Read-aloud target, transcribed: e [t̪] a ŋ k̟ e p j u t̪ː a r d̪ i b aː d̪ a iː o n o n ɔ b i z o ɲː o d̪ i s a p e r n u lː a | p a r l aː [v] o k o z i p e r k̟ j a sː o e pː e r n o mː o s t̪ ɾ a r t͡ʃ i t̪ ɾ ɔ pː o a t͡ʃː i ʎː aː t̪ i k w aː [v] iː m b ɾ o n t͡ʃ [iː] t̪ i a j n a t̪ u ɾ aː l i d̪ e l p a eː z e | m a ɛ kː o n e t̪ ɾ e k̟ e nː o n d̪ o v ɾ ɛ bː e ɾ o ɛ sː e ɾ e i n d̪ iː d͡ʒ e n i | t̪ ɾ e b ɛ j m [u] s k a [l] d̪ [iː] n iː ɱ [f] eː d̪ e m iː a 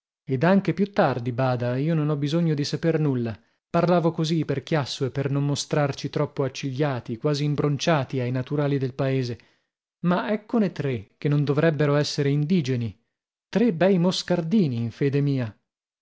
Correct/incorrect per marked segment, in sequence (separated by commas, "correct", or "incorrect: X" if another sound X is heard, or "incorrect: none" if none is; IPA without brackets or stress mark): incorrect: d̪, correct, incorrect: z, incorrect: aː, incorrect: o, incorrect: r, correct, correct